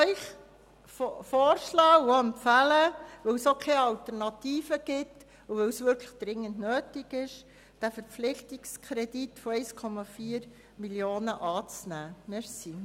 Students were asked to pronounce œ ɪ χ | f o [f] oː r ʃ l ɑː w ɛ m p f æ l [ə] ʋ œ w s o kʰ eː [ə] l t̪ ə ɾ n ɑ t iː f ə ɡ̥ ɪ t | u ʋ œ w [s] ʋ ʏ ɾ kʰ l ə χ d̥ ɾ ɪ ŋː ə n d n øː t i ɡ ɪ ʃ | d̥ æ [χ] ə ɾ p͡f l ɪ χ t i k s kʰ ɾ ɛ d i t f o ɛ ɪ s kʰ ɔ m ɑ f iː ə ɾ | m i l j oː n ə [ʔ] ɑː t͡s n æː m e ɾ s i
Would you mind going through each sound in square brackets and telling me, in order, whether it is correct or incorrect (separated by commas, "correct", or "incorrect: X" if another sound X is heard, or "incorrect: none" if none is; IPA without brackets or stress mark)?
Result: correct, correct, incorrect: ɑ, correct, incorrect: f, correct